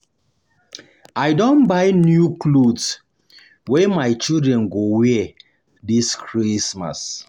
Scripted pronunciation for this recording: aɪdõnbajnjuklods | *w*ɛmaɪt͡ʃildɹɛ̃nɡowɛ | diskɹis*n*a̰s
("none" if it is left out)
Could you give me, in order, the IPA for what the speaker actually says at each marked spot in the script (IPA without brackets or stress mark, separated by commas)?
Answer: w, m